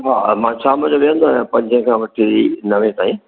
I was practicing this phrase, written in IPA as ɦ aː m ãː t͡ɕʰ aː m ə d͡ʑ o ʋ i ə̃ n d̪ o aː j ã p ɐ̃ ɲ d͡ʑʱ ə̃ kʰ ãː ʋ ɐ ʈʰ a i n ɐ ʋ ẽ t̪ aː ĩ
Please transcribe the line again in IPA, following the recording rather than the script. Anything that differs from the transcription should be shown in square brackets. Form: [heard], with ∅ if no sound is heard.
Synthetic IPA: ɦ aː m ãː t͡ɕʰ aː m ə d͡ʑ o ʋ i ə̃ n d̪ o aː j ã p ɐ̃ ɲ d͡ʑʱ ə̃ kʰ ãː ʋ ɐ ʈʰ [i] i n ɐ ʋ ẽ t̪ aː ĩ